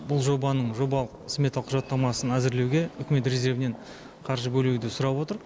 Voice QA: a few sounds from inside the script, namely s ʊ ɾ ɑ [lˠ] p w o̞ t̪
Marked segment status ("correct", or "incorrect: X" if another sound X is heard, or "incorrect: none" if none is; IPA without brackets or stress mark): incorrect: none